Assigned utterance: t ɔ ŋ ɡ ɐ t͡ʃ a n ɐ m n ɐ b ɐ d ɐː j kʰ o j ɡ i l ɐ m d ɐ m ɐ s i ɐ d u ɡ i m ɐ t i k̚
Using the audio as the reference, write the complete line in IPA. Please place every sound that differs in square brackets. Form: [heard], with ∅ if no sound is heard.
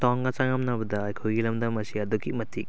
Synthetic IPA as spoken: t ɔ ŋ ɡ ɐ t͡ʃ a [ŋ] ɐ m n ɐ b ɐ d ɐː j kʰ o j ɡ i l ɐ m d ɐ m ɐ s i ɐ d u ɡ i m ɐ t i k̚

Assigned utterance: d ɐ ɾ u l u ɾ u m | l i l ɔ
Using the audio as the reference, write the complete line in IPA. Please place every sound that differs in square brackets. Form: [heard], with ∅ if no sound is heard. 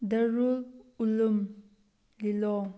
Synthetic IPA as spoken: d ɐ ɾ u l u [l] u m | l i l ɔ

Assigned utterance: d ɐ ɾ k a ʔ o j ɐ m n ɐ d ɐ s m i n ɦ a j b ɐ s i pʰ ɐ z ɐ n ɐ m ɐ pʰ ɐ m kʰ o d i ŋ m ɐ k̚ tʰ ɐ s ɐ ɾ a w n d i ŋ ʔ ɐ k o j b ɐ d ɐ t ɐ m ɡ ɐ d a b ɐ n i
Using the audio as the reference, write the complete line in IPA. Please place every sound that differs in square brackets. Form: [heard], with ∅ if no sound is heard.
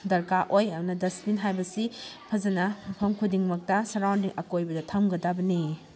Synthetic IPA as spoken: d ɐ ɾ k a ʔ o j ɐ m n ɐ d ɐ s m i n ɦ a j b ɐ s i pʰ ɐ z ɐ n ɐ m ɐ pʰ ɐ m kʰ [u] d i ŋ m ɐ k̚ [t] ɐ s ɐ ɾ a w n d i ŋ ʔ ɐ k o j b ɐ d ɐ [tʰ] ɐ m ɡ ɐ d a b ɐ n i

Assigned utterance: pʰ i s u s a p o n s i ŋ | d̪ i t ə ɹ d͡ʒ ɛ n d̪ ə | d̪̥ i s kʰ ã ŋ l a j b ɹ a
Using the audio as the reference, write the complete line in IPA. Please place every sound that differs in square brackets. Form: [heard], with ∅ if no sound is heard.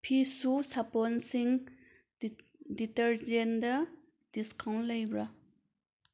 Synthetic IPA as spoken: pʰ i s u s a p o n s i ŋ | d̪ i t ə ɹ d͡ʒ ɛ n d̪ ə | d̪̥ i s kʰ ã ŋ l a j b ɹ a

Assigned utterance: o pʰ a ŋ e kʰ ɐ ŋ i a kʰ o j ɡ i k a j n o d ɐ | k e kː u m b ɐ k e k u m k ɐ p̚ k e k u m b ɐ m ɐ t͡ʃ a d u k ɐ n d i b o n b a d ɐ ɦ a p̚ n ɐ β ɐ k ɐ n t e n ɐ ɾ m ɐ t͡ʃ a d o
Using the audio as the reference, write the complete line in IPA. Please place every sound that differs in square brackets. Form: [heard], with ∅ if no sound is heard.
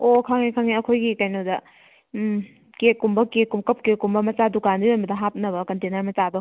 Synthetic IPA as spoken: o [kʰ] a ŋ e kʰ [a] ŋ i [ɐ] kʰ o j ɡ i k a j n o d ɐ | k e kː u m b ɐ k e k u m k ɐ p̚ k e k u m b ɐ m ɐ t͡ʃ a d u k [a] n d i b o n b [ɐ] d ɐ ɦ a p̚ n ɐ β ɐ k ɐ n t e n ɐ ɾ m ɐ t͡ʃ a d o

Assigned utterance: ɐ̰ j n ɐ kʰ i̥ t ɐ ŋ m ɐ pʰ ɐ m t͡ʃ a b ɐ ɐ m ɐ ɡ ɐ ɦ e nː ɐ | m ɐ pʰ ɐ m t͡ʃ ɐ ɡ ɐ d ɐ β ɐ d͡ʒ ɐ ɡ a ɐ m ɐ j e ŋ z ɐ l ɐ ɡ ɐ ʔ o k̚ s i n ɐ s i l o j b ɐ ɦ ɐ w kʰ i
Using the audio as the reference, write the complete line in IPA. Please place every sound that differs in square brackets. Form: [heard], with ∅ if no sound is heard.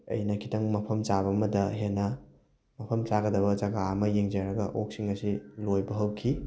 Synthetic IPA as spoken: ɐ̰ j n ɐ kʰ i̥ t ɐ ŋ m ɐ pʰ ɐ m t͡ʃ a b ɐ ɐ m ɐ [d] ɐ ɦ e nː ɐ | m ɐ pʰ ɐ m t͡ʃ [a] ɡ ɐ d ɐ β ɐ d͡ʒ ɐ ɡ a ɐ m ɐ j e ŋ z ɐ [ɾ] ɐ ɡ ɐ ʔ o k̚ s i [ŋ] ɐ s i l o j b ɐ ɦ ɐ w kʰ i

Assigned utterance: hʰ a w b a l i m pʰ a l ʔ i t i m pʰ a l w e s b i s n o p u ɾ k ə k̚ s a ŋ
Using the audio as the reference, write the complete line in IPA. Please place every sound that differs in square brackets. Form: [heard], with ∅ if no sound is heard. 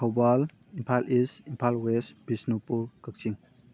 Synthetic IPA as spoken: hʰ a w b a l i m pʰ a l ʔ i [s] i m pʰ a l w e s b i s n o p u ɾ k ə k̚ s [i] ŋ

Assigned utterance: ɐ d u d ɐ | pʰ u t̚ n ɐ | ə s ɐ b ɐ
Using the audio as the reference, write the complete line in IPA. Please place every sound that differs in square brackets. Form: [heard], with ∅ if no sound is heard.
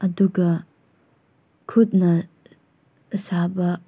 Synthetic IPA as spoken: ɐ d u [ɡ] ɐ | [kʰ] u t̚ n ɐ | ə s [a] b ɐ

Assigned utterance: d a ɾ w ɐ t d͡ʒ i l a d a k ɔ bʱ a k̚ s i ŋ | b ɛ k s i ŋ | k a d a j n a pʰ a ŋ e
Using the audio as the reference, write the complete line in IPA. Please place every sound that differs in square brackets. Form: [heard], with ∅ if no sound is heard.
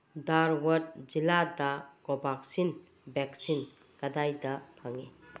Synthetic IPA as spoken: d a ɾ w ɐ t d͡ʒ i l a d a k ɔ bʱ a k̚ s i [n] | b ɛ k s i [n] | k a d a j [d] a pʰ a ŋ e

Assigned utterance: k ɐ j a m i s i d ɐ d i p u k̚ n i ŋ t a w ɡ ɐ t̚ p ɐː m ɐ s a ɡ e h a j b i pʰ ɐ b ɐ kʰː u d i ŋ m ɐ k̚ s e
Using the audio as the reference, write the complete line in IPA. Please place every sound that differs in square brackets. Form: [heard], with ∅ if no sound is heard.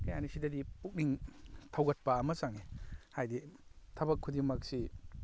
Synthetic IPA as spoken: k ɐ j a [n] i s i d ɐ d i p u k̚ n i ŋ [tʰ] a w ɡ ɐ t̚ p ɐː m ɐ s a [ŋ] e h a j [d] i [tʰ] ɐ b ɐ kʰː u d i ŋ m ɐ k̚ s [i]

